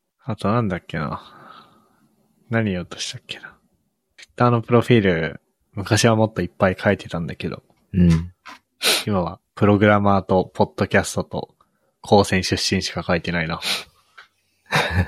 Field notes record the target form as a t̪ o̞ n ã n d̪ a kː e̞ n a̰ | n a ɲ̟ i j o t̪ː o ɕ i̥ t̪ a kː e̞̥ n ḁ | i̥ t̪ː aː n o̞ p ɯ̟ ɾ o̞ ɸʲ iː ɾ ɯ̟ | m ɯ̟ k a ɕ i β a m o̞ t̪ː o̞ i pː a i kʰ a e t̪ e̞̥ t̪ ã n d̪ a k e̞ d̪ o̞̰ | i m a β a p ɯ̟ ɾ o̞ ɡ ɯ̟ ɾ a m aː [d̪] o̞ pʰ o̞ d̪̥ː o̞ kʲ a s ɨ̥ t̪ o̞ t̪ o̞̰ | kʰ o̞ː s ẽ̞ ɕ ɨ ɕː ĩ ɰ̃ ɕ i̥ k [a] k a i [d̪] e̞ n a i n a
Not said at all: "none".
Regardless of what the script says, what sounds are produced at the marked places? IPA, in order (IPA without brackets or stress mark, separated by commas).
t̪, a, t̪